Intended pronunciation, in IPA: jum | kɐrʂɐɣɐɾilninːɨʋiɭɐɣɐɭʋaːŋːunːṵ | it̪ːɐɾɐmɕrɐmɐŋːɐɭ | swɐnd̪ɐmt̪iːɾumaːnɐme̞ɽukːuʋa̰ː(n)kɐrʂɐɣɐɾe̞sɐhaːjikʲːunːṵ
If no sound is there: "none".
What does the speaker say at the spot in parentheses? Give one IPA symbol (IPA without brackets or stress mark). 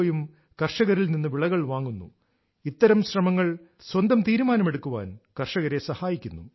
n